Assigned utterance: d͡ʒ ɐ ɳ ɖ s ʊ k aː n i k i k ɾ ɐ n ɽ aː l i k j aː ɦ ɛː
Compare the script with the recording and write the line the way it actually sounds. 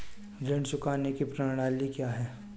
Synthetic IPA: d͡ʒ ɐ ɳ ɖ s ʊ k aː n e k i p ɾ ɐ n ɽ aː l i k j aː ɦ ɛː